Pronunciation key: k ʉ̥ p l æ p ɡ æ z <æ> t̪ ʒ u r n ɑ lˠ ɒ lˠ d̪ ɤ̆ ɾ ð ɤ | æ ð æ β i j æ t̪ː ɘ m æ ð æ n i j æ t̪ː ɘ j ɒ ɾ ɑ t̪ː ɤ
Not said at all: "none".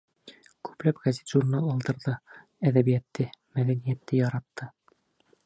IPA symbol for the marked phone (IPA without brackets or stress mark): i